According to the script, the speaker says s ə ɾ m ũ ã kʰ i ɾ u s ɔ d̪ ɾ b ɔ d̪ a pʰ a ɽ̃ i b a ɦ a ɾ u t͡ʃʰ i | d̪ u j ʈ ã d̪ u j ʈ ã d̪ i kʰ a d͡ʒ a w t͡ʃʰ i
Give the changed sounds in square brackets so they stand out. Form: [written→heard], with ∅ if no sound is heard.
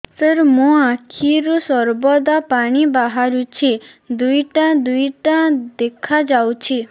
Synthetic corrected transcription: s ə ɾ m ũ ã kʰ i ɾ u s ɔ [d̪→∅] ɾ b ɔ d̪ a [pʰ→p] a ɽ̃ i b a ɦ a ɾ u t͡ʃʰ i | d̪ u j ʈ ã d̪ u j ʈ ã d̪ [i→e] kʰ a d͡ʒ a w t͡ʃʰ i